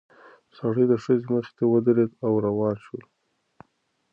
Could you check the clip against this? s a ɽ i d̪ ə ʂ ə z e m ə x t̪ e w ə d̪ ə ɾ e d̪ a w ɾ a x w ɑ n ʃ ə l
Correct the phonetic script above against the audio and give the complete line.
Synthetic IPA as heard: s a ɽ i d̪ ə ʂ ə z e m ə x t̪ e w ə d̪ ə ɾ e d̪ a w ɾ a w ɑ n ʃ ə l

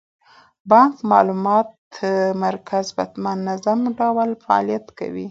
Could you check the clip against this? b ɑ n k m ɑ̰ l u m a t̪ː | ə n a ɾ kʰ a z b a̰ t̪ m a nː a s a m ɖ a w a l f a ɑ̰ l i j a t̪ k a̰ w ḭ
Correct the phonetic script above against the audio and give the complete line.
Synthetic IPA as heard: b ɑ ŋ k m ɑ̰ l u m ɑ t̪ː | ə m a ɾ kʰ a z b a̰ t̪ m a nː a z a m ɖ a w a l f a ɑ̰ l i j a t̪ k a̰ w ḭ

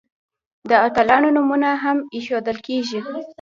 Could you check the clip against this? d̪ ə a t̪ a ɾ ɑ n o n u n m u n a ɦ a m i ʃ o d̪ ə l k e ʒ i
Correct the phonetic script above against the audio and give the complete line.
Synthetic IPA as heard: d̪ ə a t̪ a l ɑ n o n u m u n a ɦ a m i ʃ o d̪ ə l k e ʒ i

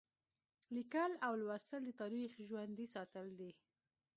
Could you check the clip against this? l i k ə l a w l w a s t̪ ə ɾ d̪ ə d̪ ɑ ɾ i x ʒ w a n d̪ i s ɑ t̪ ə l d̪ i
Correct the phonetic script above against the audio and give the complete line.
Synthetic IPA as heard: l i k ə l a w l w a s t̪ ə l d̪ ə t̪ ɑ ɾ i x ʒ w a n d̪ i s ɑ t̪ ə l d̪ i

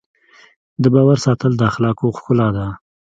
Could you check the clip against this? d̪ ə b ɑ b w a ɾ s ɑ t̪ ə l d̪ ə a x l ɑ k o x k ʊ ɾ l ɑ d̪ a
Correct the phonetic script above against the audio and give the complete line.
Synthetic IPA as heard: d̪ ə b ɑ w a ɾ s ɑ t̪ ə l d̪ ə a x l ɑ k o x k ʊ l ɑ d̪ a

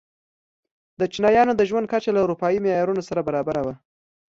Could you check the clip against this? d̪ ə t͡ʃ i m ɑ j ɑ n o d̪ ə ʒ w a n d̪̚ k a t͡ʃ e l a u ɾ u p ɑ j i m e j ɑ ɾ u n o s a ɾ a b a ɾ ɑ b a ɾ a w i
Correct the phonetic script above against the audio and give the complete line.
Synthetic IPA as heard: d̪ ə t͡ʃ i n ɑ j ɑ n o d̪ ə ʒ w a n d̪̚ k a t͡ʃ a l a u ɾ u p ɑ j i m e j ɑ ɾ u n o s a ɾ a b a ɾ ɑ b a ɾ a w a

